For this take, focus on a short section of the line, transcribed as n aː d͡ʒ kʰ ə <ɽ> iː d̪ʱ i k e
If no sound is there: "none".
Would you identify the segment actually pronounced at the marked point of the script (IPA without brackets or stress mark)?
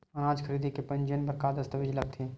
ɾ